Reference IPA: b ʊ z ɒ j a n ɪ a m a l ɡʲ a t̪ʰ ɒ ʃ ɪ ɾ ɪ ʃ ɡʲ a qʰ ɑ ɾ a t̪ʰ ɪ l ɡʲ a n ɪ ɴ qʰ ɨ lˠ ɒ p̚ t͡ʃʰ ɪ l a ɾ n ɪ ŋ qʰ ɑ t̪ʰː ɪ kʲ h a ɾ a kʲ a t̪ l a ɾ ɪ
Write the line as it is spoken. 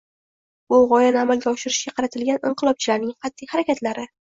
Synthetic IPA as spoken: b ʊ ʁ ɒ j a n ɪ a m a l ɡʲ a ɒ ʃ ɪ ɾ ɪ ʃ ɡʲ a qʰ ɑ ɾ a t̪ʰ ɪ l ɡʲ a n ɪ ɴ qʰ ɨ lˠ ɒ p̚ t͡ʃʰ ɪ l a ɾ n ɪ ŋ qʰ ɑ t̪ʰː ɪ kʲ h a ɾ a kʲ a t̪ l a ɾ ɪ

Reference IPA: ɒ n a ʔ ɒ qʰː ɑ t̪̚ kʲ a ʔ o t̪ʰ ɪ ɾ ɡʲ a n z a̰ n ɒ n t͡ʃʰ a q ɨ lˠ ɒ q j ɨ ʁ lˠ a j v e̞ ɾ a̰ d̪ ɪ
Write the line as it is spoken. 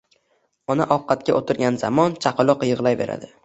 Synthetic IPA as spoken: ɒ n a ʔ ɒ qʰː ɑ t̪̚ kʲ a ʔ o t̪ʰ ɪ ɾ ɡʲ a n z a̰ m ɒ n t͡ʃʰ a q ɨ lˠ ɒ q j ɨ ʁ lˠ a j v e̞ ɾ a̰ d̪ ɪ

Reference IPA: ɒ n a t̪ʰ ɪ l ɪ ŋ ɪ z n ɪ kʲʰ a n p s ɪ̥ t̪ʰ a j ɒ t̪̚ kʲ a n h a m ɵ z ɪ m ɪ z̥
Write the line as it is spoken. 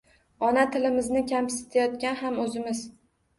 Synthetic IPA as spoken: ɒ n a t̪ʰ ɪ l ɪ m ɪ z n ɪ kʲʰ a m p s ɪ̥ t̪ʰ a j ɒ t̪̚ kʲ a n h a m ɵ z ɪ m ɪ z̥

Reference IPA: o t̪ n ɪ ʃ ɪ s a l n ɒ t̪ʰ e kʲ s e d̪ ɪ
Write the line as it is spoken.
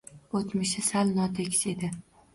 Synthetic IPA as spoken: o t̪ m ɪ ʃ ɪ s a l n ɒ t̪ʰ e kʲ s e d̪ ɪ

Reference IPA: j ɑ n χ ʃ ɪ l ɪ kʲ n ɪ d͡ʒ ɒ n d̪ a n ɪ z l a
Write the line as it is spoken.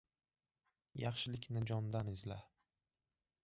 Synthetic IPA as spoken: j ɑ χ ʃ ɪ l ɪ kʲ n ɪ d͡ʒ ɒ n d̪ a n ɪ z l a

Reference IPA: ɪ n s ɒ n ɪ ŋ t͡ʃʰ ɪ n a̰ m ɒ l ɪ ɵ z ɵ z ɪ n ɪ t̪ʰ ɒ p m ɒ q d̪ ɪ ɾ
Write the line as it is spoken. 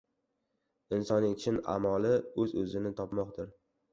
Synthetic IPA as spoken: ɪ n s ɒ n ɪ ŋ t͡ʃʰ ɪ n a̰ m ɒ l ɪ ɵ z ɵ z ɪ n ɪ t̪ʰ ɒ p m ɒ q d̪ ɪ ɾ

